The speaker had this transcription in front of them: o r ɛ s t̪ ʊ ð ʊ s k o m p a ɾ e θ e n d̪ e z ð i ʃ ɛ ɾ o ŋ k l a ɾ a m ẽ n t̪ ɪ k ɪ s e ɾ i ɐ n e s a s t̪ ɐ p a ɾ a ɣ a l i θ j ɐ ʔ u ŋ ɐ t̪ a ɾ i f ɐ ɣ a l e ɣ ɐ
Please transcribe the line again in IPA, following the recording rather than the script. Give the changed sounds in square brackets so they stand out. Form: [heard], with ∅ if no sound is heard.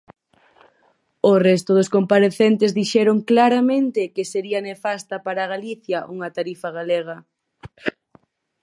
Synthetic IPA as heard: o r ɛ s t̪ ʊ ð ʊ s k o m p a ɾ e θ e n [t̪] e z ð i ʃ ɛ ɾ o ŋ k l a ɾ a m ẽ n t̪ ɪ k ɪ s e ɾ i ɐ n e [f] a s t̪ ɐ p a ɾ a ɣ a l i θ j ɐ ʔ u ŋ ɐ t̪ a ɾ i f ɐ ɣ a l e ɣ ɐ